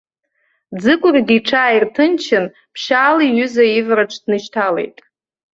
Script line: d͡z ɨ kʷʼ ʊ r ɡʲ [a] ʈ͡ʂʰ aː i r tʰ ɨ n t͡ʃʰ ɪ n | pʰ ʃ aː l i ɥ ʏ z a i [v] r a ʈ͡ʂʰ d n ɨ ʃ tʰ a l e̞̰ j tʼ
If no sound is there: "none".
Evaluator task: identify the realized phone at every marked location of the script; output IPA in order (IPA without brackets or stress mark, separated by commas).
i, v